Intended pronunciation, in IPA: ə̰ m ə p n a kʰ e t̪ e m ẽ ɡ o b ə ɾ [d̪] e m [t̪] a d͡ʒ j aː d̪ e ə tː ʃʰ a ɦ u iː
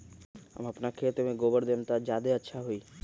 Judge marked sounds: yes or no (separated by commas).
yes, yes